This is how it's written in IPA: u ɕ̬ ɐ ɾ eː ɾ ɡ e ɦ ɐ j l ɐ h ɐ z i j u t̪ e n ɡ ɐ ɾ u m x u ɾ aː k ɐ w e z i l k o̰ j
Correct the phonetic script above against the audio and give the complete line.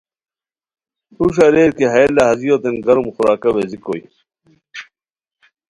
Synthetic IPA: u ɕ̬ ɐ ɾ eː ɾ k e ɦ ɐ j l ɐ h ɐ z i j o t̪ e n ɡ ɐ ɾ u m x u ɾ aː k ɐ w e z i k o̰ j